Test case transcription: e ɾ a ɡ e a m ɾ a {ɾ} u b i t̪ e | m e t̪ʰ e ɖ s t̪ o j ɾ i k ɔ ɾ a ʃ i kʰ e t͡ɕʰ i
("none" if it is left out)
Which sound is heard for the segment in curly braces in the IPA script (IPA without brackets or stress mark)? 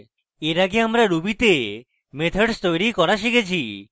ɾ